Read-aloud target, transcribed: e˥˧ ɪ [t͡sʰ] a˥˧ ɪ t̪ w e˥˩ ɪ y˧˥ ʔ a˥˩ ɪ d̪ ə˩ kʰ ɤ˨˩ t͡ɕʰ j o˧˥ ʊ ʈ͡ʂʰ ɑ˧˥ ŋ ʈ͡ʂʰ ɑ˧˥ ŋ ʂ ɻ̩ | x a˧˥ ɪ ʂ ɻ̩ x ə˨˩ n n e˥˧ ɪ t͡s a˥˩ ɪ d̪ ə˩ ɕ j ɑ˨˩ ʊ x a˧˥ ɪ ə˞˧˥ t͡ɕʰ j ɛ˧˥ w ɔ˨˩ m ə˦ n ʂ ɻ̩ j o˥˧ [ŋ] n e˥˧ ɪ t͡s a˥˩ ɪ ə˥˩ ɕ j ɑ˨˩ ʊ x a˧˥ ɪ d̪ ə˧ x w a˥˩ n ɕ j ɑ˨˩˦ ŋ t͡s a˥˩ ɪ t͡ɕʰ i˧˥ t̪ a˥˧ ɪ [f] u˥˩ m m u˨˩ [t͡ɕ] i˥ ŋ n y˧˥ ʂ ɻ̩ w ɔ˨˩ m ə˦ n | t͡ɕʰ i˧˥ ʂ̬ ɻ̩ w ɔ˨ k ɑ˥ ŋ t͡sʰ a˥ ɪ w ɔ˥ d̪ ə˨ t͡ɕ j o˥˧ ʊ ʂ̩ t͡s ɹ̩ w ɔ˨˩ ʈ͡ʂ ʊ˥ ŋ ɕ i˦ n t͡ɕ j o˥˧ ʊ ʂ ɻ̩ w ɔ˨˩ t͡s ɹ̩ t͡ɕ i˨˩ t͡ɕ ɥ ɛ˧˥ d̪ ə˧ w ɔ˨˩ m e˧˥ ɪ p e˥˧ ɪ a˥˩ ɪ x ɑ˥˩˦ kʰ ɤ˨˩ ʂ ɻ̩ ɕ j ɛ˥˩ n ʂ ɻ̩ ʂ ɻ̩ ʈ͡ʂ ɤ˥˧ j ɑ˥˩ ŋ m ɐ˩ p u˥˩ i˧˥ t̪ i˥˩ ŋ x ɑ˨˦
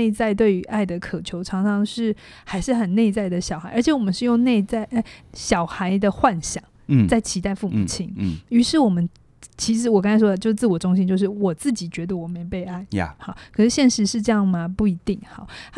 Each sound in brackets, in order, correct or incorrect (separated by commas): incorrect, correct, correct, incorrect